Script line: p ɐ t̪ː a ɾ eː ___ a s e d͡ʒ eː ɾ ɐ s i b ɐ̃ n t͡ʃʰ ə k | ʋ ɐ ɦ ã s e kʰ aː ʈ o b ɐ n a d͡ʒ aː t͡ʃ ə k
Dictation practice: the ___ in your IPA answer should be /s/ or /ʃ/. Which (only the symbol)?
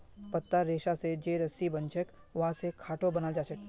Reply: ʃ